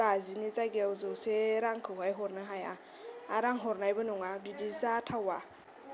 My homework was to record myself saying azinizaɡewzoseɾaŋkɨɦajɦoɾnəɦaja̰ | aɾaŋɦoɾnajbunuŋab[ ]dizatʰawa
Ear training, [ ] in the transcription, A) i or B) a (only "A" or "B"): A